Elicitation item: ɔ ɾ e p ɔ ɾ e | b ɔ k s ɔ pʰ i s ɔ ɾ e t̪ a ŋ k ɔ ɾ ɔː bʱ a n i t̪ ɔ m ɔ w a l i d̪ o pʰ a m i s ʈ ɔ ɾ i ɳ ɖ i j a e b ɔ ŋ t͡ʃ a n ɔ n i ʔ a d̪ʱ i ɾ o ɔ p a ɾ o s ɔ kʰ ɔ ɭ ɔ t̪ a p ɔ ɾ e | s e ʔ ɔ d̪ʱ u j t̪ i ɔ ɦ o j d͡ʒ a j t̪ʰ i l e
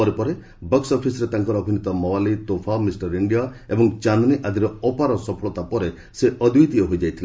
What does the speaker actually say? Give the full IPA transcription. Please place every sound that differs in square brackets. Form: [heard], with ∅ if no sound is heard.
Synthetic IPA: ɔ ɾ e p ɔ ɾ e | b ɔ k s ɔ pʰ i s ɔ ɾ e t̪ a ŋ k ɔ ɾ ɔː bʱ [i] n i t̪ ɔ m ɔ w a l i [t̪] o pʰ a m i s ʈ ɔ ɾ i ɳ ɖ i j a e b ɔ ŋ t͡ʃ a n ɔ n i ʔ a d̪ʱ i ɾ [ɔ] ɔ p a ɾ [ɔ] s ɔ [pʰ] ɔ ɭ ɔ t̪ a p ɔ ɾ e | s e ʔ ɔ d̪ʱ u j t̪ i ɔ ɦ o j d͡ʒ a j t̪ʰ i l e